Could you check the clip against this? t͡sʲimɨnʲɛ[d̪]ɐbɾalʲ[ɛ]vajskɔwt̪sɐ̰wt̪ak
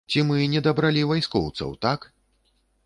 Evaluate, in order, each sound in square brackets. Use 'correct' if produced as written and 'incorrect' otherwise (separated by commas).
correct, incorrect